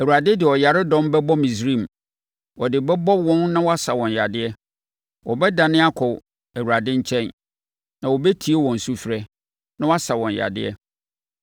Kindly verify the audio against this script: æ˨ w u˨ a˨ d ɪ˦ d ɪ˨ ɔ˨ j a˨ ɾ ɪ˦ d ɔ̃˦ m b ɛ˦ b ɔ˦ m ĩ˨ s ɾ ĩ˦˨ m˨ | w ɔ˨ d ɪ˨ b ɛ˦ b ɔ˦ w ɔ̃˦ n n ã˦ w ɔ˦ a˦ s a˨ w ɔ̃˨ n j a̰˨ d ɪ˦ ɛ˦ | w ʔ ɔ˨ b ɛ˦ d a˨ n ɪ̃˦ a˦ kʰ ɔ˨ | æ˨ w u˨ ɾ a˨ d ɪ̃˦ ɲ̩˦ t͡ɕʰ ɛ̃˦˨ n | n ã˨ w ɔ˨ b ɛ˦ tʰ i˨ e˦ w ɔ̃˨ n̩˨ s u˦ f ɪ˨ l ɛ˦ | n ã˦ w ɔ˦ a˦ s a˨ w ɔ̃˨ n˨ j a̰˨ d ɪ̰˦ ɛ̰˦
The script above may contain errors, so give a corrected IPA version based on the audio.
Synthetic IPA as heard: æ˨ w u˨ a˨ d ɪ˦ d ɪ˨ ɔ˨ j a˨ ɾ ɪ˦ d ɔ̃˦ m b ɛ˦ b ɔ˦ m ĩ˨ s ɾ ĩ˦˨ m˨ | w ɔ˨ d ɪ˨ b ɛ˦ b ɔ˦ w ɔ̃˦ n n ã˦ w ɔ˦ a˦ s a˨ w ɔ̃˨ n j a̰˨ d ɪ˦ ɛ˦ | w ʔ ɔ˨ b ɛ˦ d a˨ n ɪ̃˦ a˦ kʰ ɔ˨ | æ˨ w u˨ ɾ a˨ d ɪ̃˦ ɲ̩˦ t͡ɕʰ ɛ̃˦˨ n | n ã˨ w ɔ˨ b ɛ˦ tʰ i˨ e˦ w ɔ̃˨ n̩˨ s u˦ f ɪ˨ ɾ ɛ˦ | n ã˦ w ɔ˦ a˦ s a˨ w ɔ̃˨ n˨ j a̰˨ d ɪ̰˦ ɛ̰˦